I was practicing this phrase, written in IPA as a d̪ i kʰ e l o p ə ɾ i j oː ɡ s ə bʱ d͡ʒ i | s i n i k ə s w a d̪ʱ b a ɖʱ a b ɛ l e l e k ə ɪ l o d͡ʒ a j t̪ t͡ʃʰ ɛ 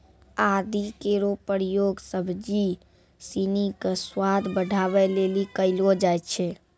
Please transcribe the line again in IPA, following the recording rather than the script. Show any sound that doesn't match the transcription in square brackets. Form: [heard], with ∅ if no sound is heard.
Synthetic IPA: a d̪ i [k] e [ɾ] o p ə ɾ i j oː ɡ s ə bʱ d͡ʒ i | s i n i k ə s w a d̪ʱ b [ə] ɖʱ a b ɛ l e l [i] k ə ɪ l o d͡ʒ a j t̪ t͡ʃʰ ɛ